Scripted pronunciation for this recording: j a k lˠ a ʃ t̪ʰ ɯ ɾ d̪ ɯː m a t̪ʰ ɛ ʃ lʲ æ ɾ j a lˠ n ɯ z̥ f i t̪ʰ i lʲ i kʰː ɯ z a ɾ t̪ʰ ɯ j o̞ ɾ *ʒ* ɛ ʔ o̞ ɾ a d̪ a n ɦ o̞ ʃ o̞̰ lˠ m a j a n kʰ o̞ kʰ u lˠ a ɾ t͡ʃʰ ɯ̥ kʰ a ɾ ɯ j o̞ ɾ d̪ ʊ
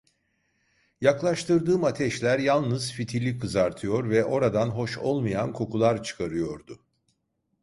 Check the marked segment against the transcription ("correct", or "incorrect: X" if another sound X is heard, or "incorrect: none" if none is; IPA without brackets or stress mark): incorrect: v